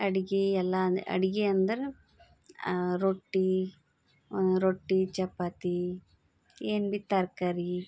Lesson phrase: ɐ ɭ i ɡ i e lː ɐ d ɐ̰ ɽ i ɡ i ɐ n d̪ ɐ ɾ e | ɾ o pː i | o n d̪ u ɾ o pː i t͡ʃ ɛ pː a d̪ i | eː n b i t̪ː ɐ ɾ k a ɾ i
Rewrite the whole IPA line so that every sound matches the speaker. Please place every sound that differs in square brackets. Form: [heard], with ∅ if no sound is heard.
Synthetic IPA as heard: ɐ [ɽ] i ɡ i [ɛ] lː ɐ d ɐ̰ ɽ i ɡ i ɐ n d̪ ɐ ɾ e | ɾ o [ʈː] i | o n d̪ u ɾ o [ʈː] i t͡ʃ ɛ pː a [t̪] i | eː n b i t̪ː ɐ ɾ k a ɾ i